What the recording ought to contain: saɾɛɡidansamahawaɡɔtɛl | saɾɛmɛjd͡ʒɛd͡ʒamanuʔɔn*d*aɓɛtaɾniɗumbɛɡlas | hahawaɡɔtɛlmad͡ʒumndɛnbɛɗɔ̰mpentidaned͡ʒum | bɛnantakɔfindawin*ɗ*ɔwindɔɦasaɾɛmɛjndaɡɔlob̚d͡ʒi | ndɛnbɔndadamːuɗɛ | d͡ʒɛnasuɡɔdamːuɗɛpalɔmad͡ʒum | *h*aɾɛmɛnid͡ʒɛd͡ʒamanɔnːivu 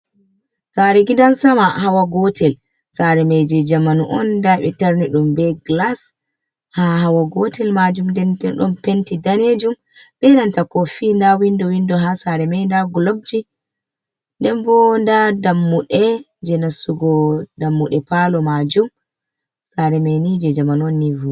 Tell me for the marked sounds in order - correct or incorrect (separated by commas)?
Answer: correct, incorrect, incorrect